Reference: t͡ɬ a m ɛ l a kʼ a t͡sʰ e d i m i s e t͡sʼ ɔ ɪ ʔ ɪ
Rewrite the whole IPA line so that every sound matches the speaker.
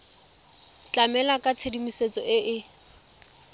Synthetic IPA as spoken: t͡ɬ a m ɛ l a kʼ a t͡sʰ e d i m i s e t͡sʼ ɔ ɪ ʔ ɪ